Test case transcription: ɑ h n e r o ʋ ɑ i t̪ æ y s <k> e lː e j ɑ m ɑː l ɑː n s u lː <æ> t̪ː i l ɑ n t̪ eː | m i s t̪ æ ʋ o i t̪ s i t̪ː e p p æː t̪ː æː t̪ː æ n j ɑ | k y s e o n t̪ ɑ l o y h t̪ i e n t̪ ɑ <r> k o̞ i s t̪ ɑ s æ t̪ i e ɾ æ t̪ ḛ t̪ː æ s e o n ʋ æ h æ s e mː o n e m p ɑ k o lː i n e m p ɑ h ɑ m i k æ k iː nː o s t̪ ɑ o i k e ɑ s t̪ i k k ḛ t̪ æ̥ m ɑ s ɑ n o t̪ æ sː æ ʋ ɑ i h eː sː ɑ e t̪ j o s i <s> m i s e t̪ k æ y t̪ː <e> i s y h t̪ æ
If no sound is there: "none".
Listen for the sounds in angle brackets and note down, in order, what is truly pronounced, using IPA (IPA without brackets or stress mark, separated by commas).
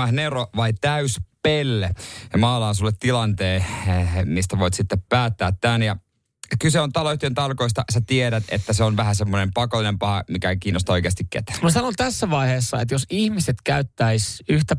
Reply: p, e, l, h, æ